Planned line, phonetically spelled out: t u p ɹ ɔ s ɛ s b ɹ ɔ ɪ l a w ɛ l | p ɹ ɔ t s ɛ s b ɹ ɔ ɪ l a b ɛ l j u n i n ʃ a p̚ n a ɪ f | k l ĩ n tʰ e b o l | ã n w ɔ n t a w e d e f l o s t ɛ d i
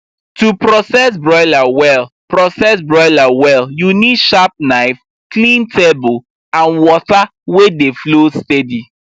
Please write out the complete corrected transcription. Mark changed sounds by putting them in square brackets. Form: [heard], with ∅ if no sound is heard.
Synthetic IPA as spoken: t u p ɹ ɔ s ɛ s b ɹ ɔ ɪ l a w ɛ l | p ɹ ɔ [∅] s ɛ s b ɹ ɔ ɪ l a [w] ɛ l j u n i [d] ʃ a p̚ n a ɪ f | k l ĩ n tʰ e b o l | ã n w ɔ [∅] t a w e d e f l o s t ɛ d i